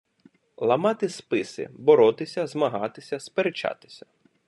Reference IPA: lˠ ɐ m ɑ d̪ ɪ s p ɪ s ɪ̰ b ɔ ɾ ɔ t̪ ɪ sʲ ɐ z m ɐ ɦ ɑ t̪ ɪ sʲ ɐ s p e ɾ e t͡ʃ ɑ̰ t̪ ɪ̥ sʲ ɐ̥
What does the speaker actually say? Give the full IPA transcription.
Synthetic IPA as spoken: lˠ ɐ m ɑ t̪ ɪ s p ɪ s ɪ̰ b ɔ ɾ ɔ t̪ ɪ sʲ ɐ z m ɐ ɦ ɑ t̪ ɪ sʲ ɐ s p e ɾ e t͡ʃ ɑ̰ t̪ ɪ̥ sʲ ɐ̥